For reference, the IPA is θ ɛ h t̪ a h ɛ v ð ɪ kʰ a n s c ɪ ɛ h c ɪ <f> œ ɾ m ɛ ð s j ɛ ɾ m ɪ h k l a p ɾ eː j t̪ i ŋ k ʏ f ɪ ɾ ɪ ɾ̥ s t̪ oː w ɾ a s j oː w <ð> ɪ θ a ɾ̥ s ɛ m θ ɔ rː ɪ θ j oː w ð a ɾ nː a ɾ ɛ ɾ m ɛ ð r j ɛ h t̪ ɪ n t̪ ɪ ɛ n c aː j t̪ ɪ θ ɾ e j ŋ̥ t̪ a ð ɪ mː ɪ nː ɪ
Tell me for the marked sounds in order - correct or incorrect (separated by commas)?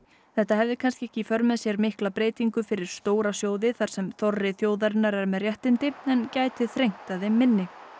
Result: correct, correct